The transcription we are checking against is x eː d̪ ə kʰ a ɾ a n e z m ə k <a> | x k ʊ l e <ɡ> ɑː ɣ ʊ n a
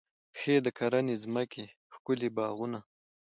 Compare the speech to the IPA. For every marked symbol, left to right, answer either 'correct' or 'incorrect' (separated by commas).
incorrect, incorrect